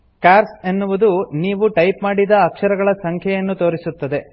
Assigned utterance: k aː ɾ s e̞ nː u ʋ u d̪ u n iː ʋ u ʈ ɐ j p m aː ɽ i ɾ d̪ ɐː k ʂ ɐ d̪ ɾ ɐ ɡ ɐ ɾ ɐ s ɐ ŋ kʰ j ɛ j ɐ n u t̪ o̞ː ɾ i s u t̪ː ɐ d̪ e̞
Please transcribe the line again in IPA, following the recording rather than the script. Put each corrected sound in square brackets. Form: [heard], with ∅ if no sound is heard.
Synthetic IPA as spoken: k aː ɾ s e̞ nː u ʋ u d̪ u n iː ʋ u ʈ ɐ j p m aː ɽ i [∅] d̪ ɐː k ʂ ɐ [∅] ɾ ɐ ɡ ɐ [ɭ] ɐ s ɐ ŋ kʰ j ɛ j ɐ [nː] u t̪ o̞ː ɾ i s u t̪ː ɐ d̪ e̞